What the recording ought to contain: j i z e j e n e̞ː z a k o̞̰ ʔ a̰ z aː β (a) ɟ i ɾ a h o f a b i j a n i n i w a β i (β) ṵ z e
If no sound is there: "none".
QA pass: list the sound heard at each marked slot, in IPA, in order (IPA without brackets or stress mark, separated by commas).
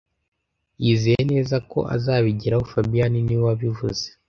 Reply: i, v